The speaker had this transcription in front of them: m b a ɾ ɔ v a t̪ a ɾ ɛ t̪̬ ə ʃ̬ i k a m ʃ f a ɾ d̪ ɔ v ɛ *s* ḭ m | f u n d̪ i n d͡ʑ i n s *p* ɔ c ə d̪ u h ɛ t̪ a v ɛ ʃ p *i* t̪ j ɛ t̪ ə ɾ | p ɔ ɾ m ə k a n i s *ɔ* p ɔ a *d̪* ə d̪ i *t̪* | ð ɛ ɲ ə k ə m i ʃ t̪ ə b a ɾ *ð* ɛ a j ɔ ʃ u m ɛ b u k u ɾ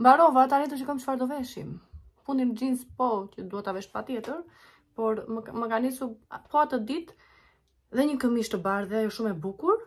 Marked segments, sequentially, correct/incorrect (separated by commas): incorrect, correct, incorrect, incorrect, incorrect, correct, correct